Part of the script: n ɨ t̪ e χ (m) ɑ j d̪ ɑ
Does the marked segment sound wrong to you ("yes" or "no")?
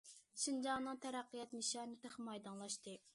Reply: no